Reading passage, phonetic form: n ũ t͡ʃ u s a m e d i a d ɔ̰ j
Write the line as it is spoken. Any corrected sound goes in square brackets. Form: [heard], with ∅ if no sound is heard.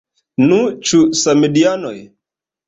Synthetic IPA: n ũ t͡ʃ u s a m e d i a [n] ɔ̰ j

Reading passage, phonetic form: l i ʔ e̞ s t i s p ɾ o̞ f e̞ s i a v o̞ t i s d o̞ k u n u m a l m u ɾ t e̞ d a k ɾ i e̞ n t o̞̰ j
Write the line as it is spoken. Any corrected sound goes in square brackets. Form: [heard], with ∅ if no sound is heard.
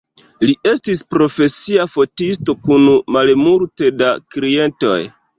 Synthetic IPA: l i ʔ e̞ s t i s p ɾ o̞ f e̞ s i a [f] o̞ t i s [t] o̞ k u n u m a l m u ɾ t e̞ d a k ɾ i e̞ n t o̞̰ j

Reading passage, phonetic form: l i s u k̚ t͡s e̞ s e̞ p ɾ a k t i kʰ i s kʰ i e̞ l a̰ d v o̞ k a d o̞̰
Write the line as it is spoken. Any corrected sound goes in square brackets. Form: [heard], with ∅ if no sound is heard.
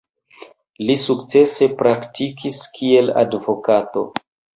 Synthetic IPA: l i s u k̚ t͡s e̞ s e̞ p ɾ a k t i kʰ i s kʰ i e̞ l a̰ d v o̞ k a [t] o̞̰

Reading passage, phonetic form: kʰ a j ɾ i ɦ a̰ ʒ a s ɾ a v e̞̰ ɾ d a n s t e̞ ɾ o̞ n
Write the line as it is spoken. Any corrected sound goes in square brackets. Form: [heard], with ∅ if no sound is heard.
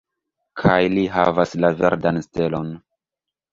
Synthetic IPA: kʰ a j [l] i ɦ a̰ [v] a s [l] a v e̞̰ ɾ d a n s t e̞ [l] o̞ n

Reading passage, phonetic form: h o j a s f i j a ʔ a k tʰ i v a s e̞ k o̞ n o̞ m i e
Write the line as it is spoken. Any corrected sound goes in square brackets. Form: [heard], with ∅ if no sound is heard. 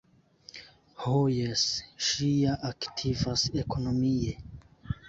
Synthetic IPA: h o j [e] s [ʃ] i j a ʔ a k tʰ i v a s e̞ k o̞ n o̞ m i e

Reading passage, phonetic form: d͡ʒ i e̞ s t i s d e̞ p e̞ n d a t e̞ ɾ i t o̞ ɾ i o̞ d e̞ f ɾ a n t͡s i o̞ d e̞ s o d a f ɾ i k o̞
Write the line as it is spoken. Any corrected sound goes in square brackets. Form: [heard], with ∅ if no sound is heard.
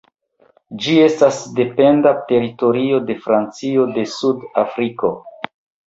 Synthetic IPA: d͡ʒ i e̞ s t [a] s d e̞ p e̞ n d a t e̞ ɾ i t o̞ ɾ i o̞ d e̞ f ɾ a n t͡s i o̞ d e̞ s [u] d a f ɾ i k o̞

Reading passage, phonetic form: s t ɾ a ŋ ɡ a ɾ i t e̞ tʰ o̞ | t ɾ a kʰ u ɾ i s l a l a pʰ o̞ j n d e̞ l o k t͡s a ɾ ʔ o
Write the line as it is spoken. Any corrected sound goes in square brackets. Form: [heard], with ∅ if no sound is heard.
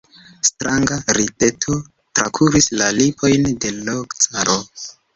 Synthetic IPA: s t ɾ a ŋ ɡ a ɾ i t e̞ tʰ o̞ | t ɾ a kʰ u ɾ i s l a l [i] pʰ o̞ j n d e̞ l o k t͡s a ɾ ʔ o

